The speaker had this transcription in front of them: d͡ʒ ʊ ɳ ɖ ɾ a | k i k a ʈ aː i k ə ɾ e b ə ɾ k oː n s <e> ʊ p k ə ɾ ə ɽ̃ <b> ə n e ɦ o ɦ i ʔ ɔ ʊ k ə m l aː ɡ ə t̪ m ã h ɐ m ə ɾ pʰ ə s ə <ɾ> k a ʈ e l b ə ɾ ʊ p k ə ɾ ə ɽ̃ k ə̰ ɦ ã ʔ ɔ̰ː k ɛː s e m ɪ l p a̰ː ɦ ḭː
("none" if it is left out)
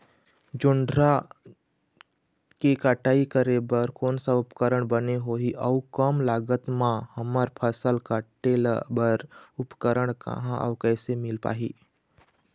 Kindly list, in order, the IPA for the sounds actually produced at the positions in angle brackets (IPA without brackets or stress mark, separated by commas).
a, b, l